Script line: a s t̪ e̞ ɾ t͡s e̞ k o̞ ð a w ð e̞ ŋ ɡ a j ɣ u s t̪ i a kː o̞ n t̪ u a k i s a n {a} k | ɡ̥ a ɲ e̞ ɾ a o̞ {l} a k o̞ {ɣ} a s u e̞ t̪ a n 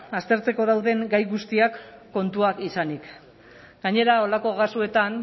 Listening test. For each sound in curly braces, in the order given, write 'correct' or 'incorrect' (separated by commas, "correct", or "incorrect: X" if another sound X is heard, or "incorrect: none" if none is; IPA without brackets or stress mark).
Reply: incorrect: i, correct, correct